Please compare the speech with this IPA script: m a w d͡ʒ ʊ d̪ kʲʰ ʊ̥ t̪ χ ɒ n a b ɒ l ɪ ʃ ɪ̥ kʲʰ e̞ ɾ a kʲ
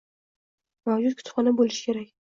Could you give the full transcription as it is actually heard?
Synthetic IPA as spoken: m a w d͡ʒ ʊ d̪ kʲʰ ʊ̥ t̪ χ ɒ n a b o l ɪ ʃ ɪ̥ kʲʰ e̞ ɾ a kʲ